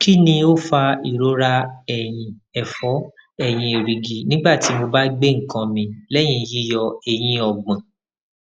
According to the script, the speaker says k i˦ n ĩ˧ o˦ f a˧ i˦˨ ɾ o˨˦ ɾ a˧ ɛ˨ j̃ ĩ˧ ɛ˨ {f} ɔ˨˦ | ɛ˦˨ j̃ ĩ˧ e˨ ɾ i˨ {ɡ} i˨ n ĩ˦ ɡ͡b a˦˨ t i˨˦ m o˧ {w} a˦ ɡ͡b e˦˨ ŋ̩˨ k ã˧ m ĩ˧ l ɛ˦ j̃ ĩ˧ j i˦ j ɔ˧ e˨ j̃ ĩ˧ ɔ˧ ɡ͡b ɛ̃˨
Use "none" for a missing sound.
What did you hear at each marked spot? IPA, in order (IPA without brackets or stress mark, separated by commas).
f, ɡ, b